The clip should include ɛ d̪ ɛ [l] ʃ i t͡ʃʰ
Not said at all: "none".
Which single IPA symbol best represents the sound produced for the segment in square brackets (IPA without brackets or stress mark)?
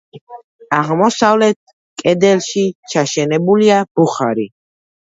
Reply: l